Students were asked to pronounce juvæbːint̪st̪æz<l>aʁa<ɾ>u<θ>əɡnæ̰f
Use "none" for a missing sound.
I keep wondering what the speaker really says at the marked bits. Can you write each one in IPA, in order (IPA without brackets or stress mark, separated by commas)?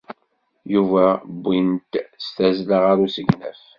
l, ɾ, s